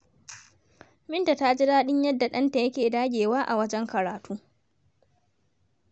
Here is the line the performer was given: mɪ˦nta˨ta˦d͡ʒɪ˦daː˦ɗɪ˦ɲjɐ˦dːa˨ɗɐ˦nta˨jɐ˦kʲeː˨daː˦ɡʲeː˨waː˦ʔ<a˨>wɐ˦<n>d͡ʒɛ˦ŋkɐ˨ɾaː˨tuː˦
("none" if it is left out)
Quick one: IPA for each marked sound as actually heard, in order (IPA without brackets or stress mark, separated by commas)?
a˨, none